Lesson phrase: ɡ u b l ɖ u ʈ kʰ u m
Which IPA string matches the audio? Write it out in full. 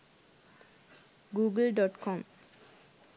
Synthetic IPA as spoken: ɡ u ɡ l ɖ ɔ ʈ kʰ ɔ m